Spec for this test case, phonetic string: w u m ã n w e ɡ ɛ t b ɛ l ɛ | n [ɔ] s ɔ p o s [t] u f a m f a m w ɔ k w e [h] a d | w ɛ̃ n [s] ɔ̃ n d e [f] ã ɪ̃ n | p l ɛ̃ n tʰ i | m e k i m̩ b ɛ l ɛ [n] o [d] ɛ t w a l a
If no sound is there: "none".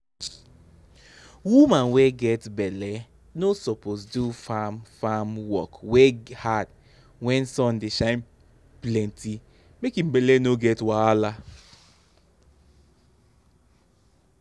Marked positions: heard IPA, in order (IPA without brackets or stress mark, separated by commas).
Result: o, d, h, s, ʃ, n, ɡ